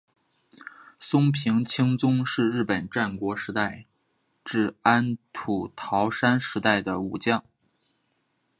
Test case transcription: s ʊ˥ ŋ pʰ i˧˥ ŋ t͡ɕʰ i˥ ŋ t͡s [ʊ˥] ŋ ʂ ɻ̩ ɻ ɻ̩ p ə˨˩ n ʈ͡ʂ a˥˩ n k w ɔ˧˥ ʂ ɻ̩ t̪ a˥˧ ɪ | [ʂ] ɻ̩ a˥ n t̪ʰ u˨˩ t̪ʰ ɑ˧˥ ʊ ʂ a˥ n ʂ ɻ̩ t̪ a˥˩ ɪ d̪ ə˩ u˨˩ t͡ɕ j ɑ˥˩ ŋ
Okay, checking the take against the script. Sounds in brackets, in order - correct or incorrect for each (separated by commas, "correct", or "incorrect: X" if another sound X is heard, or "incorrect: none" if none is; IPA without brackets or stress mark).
correct, incorrect: ʈ͡ʂ